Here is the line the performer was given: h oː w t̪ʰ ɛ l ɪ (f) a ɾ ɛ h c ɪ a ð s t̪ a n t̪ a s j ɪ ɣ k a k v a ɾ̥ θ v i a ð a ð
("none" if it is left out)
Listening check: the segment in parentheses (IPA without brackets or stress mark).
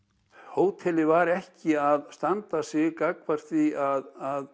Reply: v